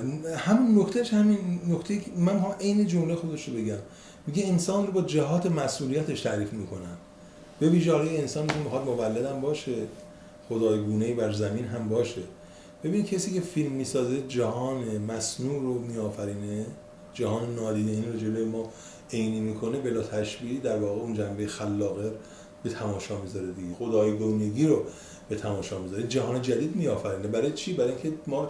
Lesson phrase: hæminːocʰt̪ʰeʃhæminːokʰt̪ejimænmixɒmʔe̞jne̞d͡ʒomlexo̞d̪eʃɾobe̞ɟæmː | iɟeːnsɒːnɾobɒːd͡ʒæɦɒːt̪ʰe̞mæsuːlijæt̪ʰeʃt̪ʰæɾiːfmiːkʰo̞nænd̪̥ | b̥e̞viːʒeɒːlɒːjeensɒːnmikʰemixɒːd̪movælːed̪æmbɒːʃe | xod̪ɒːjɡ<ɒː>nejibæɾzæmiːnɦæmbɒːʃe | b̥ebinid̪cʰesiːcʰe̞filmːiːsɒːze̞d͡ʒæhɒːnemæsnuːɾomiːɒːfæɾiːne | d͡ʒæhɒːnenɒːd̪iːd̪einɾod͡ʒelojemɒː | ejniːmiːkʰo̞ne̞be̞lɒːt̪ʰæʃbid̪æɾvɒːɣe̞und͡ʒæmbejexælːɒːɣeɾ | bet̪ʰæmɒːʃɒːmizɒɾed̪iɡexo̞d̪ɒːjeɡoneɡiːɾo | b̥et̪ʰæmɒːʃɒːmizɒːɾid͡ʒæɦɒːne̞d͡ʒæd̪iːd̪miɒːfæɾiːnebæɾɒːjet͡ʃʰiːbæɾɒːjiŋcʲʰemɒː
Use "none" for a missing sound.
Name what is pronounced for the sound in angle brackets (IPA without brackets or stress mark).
uː